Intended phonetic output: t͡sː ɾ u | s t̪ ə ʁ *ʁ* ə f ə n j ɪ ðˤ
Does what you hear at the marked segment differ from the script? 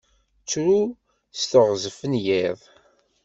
yes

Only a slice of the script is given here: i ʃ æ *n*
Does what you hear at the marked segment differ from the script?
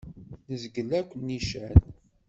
no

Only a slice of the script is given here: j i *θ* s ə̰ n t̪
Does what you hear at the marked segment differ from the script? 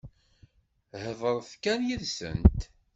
yes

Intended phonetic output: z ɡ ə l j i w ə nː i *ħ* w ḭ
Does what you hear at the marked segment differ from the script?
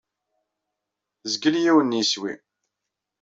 yes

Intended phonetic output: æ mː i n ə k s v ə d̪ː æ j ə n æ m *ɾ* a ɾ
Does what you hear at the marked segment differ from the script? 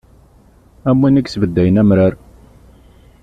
no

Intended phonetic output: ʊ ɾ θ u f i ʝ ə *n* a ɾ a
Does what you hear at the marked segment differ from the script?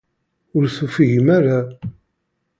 yes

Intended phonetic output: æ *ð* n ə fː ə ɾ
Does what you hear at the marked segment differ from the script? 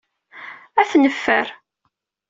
yes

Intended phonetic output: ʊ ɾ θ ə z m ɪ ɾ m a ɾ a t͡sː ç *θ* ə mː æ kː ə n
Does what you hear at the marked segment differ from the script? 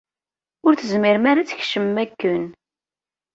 yes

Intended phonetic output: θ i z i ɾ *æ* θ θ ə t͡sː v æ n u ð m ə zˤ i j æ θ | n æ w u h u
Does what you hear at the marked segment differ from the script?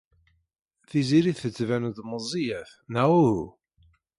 yes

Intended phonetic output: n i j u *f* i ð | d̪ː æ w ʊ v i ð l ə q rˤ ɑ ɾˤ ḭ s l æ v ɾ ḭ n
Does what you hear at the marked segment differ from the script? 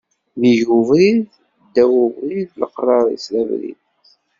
yes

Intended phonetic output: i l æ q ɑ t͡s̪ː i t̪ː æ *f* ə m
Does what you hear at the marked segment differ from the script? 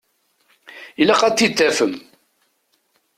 no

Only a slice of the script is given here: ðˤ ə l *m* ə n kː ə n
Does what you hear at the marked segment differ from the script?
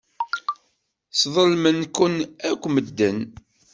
no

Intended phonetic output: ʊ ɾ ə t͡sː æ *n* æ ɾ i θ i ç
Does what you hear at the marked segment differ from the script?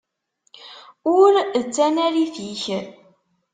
no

